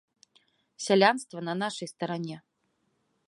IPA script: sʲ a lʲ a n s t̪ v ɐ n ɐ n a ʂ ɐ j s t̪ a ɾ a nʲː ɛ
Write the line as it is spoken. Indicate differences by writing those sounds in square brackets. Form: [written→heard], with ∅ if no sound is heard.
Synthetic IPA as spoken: sʲ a lʲ a n s t̪ v ɐ n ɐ n a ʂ ɐ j s t̪ [a→ɐ] ɾ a [nʲː→nʲ] ɛ